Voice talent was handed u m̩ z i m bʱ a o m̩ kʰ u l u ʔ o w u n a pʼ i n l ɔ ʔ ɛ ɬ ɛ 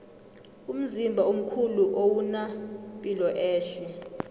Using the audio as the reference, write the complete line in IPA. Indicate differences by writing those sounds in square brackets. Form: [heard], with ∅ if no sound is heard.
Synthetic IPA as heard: u m̩ z i m bʱ a o m̩ kʰ u l u ʔ o w u n a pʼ i [∅] l ɔ ʔ [ɛː] ɬ ɛ